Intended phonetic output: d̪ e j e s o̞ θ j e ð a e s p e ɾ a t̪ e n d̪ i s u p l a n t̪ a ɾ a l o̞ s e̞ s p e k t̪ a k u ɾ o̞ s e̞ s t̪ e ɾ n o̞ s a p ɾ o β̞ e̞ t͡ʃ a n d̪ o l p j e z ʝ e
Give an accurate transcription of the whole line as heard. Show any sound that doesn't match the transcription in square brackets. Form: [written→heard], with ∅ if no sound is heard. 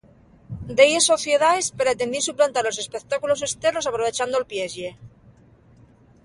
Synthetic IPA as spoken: d̪ e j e s o̞ θ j e ð a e s p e ɾ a t̪ e n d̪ i s u p l a n t̪ a ɾ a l o̞ s e̞ s p e k t̪ a k u [ɾ→l] o̞ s e̞ s t̪ e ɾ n o̞ s a p ɾ o β̞ e̞ t͡ʃ a n d̪ o l p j e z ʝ e